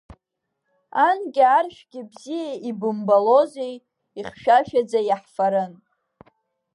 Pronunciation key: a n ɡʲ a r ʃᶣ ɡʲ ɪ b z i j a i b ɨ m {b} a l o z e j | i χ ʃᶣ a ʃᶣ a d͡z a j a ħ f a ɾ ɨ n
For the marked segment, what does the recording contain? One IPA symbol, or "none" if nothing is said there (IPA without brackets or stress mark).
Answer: b